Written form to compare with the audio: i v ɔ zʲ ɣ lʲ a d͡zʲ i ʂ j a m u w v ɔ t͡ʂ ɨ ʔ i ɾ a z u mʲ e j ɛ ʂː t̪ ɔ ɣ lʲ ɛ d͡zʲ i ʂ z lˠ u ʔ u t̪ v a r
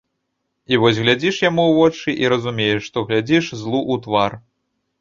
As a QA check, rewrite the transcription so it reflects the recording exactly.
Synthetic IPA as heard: i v ɔ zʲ ɣ lʲ a d͡zʲ i ʂ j a m u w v ɔ t͡ʂ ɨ ʔ i ɾ ɐ z u mʲ e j ɛ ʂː t̪ ɔ ɣ lʲ a d͡zʲ i ʂ z lˠ u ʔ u t̪ v a r